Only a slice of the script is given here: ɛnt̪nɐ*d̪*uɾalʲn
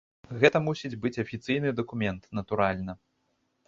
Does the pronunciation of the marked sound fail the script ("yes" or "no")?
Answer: yes